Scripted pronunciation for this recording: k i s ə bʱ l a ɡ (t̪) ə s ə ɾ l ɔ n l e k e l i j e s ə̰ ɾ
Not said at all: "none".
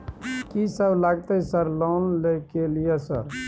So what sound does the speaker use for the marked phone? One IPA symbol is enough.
t̪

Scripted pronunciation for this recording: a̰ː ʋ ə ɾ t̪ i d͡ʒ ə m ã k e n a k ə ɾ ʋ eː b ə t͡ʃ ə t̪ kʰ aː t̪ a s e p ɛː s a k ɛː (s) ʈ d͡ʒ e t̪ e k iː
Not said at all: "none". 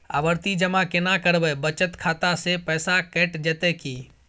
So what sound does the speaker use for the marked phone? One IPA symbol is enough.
none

